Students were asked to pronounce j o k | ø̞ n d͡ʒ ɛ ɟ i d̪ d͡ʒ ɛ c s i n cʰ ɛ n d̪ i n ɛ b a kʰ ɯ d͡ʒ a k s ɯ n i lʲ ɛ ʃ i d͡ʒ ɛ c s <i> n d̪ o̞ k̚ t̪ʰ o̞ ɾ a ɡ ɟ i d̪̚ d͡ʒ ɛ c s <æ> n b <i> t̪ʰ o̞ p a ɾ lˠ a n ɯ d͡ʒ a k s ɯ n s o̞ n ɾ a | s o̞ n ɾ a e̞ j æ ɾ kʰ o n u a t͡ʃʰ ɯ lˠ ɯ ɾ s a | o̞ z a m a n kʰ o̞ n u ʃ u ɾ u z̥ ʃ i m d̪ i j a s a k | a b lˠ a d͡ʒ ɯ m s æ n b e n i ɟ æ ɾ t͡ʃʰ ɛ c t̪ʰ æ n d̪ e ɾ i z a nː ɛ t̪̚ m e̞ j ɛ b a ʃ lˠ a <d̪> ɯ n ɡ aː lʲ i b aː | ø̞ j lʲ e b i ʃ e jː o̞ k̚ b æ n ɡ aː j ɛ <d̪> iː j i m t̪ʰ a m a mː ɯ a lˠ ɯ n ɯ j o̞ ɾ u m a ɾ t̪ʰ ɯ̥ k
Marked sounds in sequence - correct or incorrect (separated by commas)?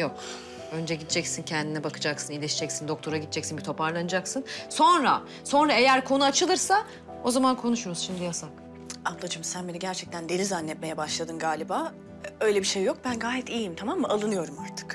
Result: correct, incorrect, correct, correct, incorrect